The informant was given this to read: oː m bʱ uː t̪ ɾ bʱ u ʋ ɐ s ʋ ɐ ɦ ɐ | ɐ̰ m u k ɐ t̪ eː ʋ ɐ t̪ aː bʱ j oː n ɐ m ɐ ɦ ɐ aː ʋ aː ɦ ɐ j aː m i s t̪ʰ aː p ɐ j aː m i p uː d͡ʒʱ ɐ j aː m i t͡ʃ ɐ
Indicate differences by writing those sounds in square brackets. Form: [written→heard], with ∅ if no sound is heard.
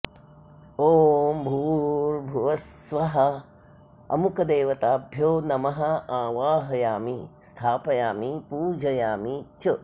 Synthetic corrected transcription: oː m bʱ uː [t̪→∅] ɾ bʱ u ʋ ɐ s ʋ ɐ ɦ ɐ | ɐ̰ m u k ɐ [t̪→d̪] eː ʋ ɐ t̪ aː bʱ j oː n ɐ m ɐ ɦ ɐ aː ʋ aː ɦ ɐ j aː m i s t̪ʰ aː p ɐ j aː m i p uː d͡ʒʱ ɐ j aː m i t͡ʃ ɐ